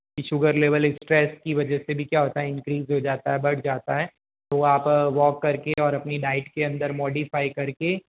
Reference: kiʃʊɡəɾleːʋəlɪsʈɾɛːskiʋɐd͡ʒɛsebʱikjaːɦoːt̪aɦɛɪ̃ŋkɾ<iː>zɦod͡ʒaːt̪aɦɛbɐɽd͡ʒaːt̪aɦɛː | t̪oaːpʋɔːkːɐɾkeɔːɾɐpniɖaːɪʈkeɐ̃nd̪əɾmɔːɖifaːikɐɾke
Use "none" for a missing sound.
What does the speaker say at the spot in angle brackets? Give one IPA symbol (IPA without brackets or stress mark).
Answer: iː